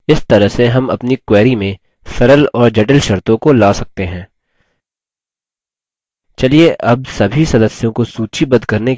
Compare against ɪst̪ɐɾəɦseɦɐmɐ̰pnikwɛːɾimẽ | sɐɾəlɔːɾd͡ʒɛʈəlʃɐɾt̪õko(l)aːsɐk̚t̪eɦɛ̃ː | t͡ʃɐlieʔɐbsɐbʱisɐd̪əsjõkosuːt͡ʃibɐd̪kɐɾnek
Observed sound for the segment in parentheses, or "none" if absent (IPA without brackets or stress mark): l